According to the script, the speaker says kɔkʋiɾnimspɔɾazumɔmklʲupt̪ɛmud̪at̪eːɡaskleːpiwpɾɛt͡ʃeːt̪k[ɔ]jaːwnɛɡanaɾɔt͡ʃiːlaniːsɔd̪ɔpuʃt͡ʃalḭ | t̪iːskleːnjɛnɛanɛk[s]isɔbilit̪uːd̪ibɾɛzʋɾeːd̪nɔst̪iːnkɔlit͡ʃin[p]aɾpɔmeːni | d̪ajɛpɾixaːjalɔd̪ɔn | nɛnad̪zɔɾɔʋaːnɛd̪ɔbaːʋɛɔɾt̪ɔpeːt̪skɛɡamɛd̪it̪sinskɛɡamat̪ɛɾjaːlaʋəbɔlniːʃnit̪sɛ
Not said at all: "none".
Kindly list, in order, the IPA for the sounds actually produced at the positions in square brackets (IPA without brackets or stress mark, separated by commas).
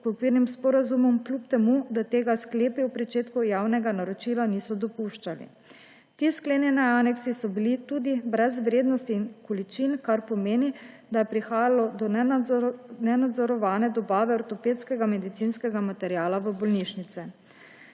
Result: u, s, k